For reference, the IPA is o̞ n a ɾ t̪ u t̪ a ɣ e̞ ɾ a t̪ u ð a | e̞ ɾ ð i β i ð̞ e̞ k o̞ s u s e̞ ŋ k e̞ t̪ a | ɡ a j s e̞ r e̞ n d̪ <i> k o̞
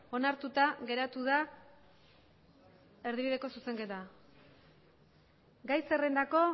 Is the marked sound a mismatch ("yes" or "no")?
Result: yes